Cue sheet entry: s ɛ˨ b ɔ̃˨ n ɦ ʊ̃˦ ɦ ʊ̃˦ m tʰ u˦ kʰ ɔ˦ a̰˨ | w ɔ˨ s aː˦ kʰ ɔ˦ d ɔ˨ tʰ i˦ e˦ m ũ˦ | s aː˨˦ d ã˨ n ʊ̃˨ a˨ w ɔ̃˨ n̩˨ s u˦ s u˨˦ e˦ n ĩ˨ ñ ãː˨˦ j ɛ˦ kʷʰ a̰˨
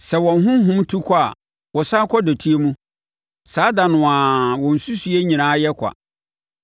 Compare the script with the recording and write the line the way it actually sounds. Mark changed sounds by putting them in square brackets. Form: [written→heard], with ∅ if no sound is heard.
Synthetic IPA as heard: s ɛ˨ [b→w] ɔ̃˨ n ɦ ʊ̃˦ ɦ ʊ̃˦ m tʰ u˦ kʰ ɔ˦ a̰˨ | w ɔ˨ s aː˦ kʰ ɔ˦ d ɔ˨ tʰ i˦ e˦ m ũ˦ | s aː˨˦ d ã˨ n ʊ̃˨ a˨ w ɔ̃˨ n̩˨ s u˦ s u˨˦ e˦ [n→ɲ] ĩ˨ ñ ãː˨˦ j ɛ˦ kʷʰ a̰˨